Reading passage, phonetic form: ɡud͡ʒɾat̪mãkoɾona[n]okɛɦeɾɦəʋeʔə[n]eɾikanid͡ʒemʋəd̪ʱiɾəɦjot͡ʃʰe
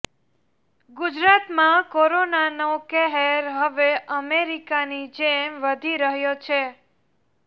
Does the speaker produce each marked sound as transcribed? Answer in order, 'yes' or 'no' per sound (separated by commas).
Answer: yes, no